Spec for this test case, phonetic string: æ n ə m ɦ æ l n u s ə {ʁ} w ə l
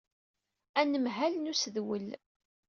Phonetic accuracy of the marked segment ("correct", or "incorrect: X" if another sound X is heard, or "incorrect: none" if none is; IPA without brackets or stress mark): incorrect: ð